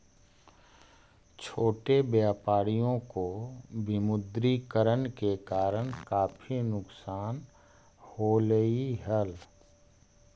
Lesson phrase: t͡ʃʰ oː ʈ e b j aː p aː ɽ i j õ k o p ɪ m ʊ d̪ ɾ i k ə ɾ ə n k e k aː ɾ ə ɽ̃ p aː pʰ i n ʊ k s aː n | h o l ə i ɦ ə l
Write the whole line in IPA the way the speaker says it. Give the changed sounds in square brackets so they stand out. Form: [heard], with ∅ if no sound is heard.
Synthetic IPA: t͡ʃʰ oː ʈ e b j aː p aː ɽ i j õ k o [b] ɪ m ʊ d̪ ɾ i k ə ɾ ə n k e k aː ɾ ə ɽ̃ [k] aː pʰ i n ʊ k s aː n | h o l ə i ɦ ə l